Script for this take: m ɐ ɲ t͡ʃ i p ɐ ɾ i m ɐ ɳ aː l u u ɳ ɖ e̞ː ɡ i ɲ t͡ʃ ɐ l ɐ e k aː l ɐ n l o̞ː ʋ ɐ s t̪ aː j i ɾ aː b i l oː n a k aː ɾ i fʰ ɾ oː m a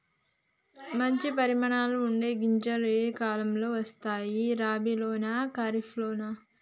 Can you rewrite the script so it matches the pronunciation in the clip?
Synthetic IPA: m ɐ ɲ t͡ʃ i p ɐ ɾ i m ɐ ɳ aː l u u ɳ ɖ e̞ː ɡ i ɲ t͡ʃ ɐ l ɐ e k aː l ɐ m l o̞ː ʋ ɐ s t̪ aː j i ɾ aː b i l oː n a k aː ɾ i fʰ l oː n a